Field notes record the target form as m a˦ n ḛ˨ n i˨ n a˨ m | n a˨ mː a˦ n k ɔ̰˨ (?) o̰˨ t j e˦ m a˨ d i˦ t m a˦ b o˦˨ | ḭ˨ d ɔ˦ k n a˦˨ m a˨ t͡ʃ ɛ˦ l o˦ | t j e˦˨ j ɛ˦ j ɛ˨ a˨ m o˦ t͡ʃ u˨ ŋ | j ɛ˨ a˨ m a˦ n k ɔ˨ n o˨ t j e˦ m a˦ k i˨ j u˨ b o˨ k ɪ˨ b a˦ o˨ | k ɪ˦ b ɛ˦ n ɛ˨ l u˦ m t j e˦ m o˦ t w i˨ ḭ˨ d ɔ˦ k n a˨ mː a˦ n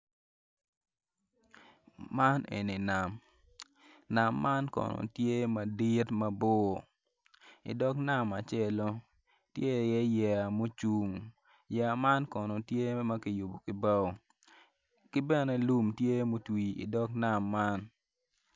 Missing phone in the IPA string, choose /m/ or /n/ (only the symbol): n